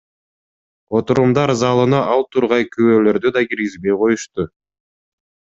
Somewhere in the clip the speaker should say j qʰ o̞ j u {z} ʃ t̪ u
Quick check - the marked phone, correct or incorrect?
incorrect